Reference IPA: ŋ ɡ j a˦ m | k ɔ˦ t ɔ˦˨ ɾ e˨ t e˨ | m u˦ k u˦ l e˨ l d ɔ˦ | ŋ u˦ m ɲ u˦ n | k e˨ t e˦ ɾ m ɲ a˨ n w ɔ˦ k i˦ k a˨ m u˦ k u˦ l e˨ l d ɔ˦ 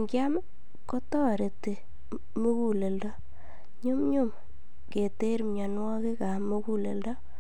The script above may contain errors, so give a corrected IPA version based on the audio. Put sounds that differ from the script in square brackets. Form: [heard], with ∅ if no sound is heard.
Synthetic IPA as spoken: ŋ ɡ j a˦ m | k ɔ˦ t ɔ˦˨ ɾ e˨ t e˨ | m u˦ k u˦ l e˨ l d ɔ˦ | [ɲ] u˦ m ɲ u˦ [m] | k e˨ t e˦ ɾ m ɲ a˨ n w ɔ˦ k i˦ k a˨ m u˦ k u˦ l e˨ l d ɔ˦